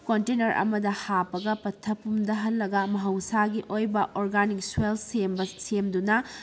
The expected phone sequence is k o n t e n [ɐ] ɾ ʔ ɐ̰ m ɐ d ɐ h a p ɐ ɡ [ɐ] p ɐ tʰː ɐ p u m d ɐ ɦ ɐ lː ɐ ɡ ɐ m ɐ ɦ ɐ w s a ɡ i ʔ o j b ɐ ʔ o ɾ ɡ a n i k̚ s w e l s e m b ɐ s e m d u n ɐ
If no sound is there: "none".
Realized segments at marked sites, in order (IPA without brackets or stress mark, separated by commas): ɐ, ɐ